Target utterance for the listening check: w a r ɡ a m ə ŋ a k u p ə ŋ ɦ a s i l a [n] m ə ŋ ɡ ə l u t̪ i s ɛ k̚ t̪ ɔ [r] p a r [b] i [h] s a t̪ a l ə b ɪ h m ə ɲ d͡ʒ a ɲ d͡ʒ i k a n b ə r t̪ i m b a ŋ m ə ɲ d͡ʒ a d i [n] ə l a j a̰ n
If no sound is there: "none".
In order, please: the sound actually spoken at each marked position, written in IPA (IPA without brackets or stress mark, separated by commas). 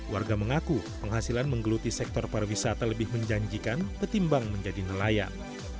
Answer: n, r, w, none, n